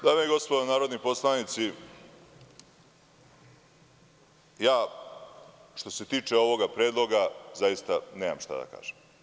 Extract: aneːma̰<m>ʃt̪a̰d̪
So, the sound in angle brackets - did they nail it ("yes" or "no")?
yes